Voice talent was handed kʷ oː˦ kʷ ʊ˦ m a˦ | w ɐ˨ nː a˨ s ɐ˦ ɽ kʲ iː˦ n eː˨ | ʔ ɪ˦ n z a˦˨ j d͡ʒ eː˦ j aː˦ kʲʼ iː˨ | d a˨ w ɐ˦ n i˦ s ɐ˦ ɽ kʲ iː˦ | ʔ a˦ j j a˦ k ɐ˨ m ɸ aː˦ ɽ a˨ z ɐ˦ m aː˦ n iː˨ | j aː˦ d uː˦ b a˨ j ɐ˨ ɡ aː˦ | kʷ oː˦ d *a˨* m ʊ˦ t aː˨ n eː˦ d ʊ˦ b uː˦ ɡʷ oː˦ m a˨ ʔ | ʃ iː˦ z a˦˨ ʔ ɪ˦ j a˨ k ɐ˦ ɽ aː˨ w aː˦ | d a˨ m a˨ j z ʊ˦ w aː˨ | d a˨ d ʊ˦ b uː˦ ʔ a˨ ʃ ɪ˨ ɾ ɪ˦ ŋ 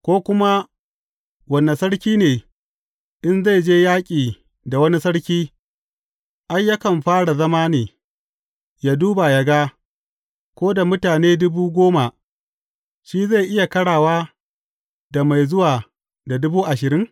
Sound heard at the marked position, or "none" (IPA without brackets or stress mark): a˨